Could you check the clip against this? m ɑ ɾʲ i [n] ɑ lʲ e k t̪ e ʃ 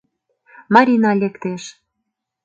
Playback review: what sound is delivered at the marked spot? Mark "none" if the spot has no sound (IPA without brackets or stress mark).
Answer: n